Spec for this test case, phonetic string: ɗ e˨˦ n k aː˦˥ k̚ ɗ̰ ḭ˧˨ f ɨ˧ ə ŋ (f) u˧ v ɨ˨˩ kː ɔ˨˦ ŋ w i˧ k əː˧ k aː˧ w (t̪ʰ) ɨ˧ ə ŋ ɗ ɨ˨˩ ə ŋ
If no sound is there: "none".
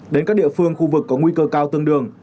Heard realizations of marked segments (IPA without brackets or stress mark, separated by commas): x, t̪